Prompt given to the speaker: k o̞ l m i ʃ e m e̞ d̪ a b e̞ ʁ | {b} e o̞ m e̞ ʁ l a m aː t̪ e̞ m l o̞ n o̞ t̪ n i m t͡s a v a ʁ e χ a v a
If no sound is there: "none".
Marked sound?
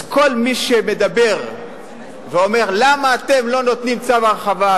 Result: v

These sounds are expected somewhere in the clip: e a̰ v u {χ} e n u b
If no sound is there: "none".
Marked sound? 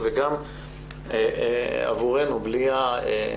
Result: ʁ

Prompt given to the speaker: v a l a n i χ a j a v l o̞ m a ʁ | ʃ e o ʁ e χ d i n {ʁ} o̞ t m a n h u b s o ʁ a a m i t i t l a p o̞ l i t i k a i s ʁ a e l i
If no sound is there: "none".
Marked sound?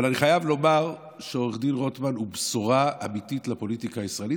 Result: ʁ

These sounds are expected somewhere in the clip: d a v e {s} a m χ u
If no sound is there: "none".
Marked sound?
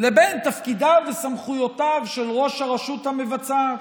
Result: s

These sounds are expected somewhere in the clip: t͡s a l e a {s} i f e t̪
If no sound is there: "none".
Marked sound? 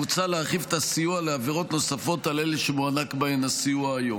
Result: χ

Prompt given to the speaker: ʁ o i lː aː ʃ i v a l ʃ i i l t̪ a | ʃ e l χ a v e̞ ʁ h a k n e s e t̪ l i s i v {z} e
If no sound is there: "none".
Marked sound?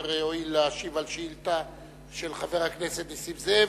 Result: z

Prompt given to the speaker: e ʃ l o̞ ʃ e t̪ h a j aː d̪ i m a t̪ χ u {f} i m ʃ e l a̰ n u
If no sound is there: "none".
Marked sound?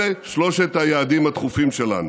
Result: f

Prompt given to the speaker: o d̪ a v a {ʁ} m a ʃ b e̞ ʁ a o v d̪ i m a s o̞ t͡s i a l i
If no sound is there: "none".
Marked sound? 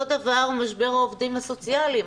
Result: ʁ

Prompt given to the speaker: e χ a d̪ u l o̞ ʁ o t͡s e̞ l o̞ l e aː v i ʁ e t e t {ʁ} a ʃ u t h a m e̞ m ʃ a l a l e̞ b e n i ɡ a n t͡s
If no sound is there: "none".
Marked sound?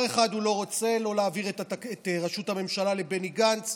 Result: ʁ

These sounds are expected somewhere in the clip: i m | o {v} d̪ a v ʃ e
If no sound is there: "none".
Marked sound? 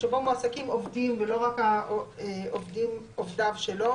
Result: v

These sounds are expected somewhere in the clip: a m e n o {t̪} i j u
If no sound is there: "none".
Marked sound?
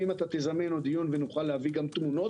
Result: d̪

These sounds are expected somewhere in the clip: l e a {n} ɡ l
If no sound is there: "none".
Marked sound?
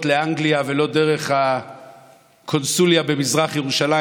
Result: ŋ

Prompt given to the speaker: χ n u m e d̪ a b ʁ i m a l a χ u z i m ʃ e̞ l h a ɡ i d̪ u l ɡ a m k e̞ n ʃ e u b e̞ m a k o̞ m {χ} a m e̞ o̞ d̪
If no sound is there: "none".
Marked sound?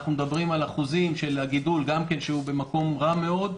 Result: ʁ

